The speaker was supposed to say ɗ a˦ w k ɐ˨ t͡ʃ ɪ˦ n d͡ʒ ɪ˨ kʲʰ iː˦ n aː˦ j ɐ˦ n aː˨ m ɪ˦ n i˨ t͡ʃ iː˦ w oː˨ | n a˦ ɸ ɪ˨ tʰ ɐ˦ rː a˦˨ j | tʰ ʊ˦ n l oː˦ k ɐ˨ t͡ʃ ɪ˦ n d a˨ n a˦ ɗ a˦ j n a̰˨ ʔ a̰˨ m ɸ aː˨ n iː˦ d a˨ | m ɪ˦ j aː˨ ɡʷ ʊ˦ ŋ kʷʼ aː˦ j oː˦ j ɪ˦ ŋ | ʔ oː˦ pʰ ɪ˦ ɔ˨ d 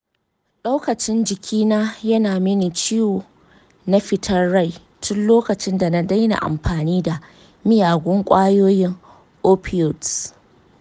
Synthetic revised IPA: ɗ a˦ w k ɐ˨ t͡ʃ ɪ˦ n d͡ʒ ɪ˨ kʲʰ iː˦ n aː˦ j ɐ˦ n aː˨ m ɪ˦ n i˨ t͡ʃ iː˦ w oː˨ | n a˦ ɸ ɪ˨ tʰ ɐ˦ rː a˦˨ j | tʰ ʊ˦ n l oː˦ k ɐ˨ t͡ʃ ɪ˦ n d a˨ n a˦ d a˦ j n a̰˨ ʔ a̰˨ m ɸ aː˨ n iː˦ d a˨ | m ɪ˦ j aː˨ ɡʷ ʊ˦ ŋ kʷʼ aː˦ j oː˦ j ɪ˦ ŋ | ʔ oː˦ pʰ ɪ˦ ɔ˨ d